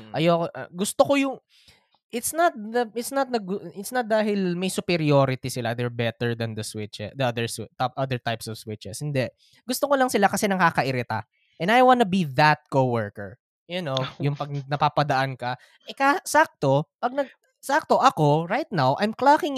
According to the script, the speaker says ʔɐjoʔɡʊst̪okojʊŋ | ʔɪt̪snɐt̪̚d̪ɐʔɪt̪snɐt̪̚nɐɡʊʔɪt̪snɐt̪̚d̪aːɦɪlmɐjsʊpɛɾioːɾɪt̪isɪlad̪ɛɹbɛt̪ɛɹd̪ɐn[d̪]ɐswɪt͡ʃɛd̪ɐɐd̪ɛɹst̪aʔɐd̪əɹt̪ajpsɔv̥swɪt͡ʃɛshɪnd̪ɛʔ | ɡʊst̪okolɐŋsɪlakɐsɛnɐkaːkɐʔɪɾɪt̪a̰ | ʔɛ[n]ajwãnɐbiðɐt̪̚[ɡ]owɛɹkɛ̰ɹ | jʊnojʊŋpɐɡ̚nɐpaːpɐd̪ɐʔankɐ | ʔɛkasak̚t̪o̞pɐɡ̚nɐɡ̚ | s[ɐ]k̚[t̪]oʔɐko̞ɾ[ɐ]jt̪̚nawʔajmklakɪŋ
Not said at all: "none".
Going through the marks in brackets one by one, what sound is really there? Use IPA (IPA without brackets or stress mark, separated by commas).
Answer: d̪, n, k, a, t̪, a